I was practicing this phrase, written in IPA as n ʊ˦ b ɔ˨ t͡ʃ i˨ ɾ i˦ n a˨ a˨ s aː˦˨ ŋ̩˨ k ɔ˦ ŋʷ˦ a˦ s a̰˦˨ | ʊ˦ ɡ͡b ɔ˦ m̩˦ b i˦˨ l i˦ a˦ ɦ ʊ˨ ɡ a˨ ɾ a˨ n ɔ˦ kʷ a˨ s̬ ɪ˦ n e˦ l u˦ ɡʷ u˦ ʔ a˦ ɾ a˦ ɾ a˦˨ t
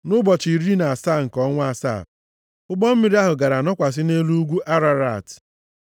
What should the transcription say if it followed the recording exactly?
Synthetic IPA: n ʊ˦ b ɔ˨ t͡ʃ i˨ ɾ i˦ n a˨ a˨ s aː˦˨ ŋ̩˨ k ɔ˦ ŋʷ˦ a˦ s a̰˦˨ | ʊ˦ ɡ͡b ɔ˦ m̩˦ m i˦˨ ɾ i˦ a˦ ɦ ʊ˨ ɡ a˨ ɾ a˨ n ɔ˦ kʷ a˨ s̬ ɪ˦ n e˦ l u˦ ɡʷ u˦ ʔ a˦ ɾ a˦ ɾ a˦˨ t